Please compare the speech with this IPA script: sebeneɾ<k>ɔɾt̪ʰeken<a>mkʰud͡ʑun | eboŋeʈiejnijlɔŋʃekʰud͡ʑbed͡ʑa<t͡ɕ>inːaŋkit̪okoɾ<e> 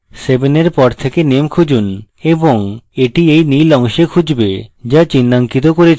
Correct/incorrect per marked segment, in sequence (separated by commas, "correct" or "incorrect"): incorrect, incorrect, correct, correct